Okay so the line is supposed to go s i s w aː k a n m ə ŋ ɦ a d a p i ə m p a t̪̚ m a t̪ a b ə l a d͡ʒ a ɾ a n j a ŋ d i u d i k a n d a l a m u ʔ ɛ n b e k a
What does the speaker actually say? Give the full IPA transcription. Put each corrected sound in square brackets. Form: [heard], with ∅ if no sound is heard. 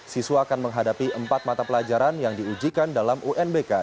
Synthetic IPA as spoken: s i s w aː k a n m ə ŋ ɦ a d a p i ə m p a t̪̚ m a t̪ a [p] ə l a d͡ʒ a ɾ a n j a ŋ d i u [d͡ʒ] i k a n d a l a m u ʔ ɛ n b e k a

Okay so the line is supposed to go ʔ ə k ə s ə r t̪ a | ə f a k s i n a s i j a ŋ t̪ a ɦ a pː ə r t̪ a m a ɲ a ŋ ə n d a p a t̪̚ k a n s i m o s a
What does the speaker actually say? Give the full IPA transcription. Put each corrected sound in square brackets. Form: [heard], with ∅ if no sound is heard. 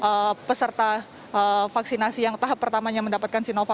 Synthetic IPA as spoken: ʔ ə [p] ə s ə r t̪ a | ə f a k s i n a s i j a ŋ t̪ a ɦ a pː ə r t̪ a m a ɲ a [m] ə n d a p a t̪̚ k a n s i [n] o [f] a

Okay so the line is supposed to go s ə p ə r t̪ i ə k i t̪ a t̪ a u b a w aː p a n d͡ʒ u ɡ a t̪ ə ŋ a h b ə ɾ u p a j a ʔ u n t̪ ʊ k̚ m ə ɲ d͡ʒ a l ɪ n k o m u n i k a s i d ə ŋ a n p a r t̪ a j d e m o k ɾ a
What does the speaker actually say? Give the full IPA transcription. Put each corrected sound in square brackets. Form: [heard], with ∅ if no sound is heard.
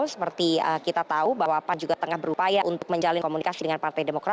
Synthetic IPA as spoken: s ə p ə r t̪ i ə k i t̪ a t̪ a u b a w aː p a n d͡ʒ u ɡ a t̪ ə ŋ a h b ə ɾ u p a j a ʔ u n t̪ ʊ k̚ m ə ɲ d͡ʒ a l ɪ n k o m u n i k a s i d ə ŋ a n p a r t̪ a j d e m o k ɾ a

